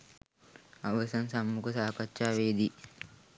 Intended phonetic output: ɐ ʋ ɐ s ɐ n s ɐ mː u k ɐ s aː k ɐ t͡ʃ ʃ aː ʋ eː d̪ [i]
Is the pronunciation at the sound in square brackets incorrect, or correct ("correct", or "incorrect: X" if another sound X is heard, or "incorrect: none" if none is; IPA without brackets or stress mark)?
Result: correct